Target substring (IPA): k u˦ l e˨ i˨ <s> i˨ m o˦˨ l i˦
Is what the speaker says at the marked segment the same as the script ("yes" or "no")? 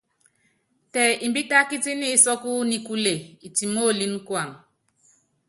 no